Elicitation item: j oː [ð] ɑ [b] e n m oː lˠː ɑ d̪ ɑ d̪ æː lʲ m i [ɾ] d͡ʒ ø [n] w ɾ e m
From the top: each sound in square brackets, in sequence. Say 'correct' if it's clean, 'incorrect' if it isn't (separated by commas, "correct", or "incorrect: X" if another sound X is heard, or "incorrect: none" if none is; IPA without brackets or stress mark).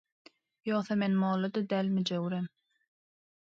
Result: incorrect: θ, incorrect: m, incorrect: none, incorrect: none